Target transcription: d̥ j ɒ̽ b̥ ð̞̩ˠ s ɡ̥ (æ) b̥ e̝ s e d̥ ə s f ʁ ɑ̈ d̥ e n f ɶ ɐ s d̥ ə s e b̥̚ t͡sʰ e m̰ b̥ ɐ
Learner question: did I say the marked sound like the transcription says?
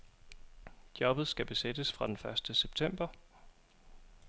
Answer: yes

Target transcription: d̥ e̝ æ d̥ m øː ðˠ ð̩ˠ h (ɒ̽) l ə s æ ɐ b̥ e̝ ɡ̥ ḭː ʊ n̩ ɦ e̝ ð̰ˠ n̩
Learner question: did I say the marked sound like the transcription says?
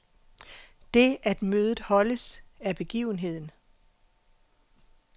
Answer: yes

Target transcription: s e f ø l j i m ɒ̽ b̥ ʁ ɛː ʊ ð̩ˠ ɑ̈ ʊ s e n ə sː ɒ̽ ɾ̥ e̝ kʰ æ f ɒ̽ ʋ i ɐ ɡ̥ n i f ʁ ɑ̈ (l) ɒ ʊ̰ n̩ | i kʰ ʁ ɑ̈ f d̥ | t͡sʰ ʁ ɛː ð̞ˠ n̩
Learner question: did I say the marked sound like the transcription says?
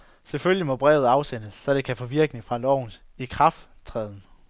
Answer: yes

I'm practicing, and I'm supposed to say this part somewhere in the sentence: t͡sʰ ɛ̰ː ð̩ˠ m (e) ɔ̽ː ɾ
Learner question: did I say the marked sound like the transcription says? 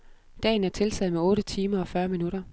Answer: yes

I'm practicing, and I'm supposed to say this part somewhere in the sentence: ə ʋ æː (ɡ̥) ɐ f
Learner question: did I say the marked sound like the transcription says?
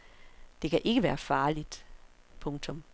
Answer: no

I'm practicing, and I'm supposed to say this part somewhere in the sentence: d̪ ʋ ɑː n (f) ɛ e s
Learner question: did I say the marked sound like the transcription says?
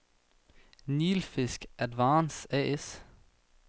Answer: no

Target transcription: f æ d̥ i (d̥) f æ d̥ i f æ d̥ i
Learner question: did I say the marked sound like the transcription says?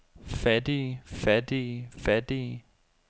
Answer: no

